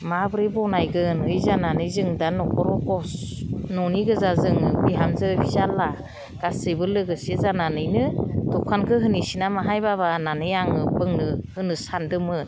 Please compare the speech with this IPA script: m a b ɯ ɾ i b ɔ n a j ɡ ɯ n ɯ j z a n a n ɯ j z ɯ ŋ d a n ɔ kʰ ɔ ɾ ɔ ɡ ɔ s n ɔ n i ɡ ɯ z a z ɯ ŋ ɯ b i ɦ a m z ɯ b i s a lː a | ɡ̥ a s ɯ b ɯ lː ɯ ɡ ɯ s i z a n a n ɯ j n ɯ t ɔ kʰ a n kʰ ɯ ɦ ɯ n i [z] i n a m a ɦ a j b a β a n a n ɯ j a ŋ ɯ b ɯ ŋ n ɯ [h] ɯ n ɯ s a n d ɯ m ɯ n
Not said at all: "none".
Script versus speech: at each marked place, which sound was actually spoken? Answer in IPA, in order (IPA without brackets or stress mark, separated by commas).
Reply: s, h